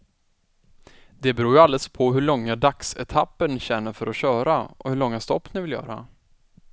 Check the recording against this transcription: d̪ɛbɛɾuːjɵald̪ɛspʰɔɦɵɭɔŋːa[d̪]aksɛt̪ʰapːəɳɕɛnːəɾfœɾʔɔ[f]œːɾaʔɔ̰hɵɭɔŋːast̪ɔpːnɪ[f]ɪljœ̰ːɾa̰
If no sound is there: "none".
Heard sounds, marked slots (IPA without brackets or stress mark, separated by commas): d̪, ɕ, v